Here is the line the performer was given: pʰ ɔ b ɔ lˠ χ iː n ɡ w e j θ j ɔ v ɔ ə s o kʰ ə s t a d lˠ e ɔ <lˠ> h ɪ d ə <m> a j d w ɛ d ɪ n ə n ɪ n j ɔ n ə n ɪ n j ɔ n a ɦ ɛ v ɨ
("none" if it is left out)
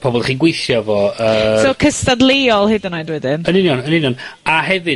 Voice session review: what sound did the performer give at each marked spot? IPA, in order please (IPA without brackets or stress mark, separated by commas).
lˠ, n